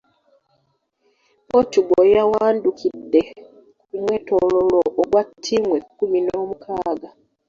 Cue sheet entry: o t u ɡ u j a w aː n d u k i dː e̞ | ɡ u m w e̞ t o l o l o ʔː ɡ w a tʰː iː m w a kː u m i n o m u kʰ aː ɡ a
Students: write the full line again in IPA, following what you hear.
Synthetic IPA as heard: o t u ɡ o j a w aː n d u k i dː e̞ | k u m w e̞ t o l o l o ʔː ɡ w a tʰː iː m w e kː u m i n o m u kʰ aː ɡ a